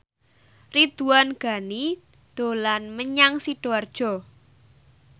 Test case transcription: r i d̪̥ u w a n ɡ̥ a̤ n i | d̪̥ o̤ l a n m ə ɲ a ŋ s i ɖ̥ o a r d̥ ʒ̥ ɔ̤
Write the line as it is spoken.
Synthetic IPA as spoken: r i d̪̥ u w a n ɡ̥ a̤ n i | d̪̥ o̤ l a n m ə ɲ a ŋ s i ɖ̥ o a r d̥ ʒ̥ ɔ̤